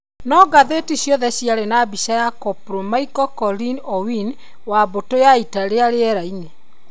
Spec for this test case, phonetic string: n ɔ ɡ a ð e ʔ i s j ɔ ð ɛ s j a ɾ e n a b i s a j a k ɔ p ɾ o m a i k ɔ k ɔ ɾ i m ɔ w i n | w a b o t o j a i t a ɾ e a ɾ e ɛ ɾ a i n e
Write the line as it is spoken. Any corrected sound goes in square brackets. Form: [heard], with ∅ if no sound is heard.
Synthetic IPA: n ɔ ɡ a ð e [t] i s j ɔ ð ɛ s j a ɾ e n a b i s a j a k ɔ p ɾ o m a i k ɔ k ɔ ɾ i [n] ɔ w i n | w a b o t o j a i t a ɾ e a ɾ e ɛ ɾ a i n e